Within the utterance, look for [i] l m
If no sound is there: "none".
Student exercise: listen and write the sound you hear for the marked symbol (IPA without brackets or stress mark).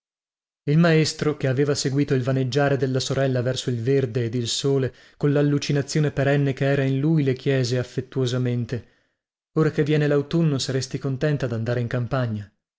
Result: i